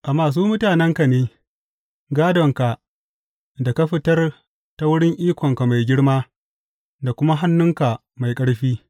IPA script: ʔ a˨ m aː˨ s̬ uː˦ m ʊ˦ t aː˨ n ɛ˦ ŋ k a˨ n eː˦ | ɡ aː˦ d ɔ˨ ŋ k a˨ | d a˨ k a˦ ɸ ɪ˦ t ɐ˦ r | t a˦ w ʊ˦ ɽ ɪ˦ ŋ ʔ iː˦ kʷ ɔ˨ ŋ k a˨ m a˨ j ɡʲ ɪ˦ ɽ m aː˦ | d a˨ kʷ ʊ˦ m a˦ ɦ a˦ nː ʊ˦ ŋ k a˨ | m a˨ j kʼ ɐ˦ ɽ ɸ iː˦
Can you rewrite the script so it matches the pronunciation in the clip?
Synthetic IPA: ʔ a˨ m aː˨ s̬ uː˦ m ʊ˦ t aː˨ n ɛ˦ ŋ k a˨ n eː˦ | ɡ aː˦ d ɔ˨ ŋ k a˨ | d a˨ k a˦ ɸ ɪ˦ t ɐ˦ r | t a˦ w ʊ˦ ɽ ɪ˦ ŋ ʔ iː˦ kʷ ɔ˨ ŋ k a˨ m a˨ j ɡʲ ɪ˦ ɽ m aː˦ | d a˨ kʷ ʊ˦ m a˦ ɦ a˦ nː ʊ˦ ŋ k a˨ | m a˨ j kʼ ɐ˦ ɽ ɸ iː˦